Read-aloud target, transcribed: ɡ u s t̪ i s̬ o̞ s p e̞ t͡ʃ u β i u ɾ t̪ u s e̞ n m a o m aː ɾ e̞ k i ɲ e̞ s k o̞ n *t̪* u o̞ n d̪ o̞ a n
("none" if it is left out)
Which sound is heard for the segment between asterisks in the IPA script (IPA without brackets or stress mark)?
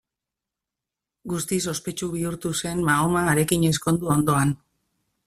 d̪